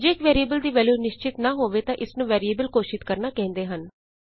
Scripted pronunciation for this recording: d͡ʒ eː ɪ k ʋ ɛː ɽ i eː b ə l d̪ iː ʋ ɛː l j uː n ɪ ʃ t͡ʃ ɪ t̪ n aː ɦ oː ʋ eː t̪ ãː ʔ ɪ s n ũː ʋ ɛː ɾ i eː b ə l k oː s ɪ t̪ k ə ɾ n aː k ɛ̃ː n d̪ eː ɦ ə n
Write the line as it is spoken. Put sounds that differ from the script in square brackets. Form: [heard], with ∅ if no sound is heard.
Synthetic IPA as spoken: d͡ʒ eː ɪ k ʋ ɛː [ɾ] i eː b ə l d̪ iː ʋ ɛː l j uː n ɪ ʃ t͡ʃ ɪ t̪ n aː ɦ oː ʋ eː t̪ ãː ʔ ɪ s n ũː ʋ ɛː ɾ i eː b ə l k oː [ʃ] ɪ t̪ k ə ɾ n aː k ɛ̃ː n d̪ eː ɦ ə n